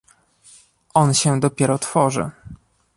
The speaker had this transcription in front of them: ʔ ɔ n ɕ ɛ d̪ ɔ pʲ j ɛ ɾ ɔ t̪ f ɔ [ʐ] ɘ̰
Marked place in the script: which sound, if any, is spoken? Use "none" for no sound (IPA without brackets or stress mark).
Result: ʐ